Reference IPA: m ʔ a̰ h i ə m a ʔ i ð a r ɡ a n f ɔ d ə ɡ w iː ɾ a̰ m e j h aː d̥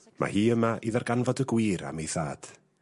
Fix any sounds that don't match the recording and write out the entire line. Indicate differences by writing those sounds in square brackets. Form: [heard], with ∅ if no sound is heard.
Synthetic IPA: m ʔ a̰ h [iː] ə m a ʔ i ð a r ɡ a n [v] ɔ d ə ɡ w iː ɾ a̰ m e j [θ] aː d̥